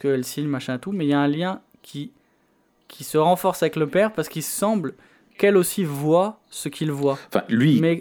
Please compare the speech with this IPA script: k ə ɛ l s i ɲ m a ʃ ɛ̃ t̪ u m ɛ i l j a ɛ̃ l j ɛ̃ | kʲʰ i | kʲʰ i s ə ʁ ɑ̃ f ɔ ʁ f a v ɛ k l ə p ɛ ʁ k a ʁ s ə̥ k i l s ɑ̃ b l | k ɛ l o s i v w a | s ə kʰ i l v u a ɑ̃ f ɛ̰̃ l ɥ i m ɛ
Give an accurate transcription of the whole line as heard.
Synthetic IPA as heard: k ə ɛ l s i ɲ m a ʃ ɛ̃ t̪ u m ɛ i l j a ɛ̃ l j ɛ̃ | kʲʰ i | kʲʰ i s ə ʁ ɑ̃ f ɔ ʁ s a v ɛ k l ə p ɛ ʁ p a ʁ s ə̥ k i l s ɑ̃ b l | k ɛ l o s i v w a | s ə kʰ i l v w a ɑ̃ f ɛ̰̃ l ɥ i m ɛ